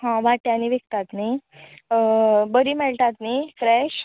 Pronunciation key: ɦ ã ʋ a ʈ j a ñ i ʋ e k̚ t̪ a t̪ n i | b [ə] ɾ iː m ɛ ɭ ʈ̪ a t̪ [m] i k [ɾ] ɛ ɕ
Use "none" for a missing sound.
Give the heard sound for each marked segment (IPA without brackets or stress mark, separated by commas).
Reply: ə, n, ɾ